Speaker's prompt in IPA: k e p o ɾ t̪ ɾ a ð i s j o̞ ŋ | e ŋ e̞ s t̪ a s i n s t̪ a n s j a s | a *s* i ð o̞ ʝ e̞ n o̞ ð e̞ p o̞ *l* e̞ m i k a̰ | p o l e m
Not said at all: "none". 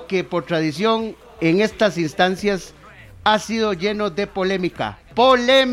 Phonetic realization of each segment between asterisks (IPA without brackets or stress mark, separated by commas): s, l